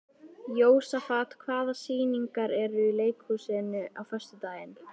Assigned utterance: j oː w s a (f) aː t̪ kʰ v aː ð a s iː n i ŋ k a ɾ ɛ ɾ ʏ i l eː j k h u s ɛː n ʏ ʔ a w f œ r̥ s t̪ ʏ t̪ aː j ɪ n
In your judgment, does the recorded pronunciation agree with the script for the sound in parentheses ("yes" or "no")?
yes